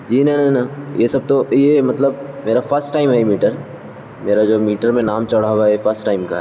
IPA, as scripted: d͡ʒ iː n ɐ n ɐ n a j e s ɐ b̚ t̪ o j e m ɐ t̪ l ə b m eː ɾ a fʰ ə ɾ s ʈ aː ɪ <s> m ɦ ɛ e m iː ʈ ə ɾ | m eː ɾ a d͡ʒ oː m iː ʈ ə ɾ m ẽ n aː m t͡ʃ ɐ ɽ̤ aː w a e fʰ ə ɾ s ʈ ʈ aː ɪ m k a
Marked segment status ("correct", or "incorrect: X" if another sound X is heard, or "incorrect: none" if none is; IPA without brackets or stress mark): incorrect: none